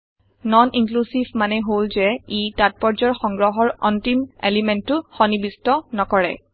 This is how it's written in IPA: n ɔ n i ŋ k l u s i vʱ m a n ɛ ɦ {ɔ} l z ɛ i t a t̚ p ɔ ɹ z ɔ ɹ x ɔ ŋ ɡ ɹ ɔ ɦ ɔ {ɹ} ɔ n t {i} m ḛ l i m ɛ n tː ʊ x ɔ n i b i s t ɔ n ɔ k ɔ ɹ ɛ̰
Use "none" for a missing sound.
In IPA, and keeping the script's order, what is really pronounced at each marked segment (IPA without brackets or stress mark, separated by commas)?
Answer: o, ɹ, i